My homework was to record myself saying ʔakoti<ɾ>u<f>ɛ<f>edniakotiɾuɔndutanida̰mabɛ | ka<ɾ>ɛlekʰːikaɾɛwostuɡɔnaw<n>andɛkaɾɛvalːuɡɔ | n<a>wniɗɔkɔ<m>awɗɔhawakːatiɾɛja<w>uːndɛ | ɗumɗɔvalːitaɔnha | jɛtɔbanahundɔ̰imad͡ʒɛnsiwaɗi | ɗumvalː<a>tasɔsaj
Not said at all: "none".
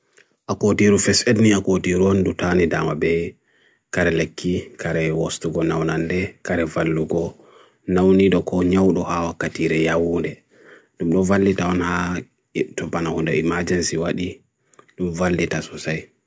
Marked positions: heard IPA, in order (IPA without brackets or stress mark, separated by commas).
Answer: ɾ, f, s, ɾ, n, a, ɲ, w, i